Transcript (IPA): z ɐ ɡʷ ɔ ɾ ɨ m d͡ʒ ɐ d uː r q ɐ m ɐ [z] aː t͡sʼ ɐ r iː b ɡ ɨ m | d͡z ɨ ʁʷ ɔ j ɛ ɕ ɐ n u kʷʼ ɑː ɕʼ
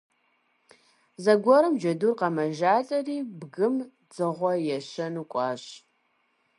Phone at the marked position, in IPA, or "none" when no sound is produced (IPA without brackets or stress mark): ʒ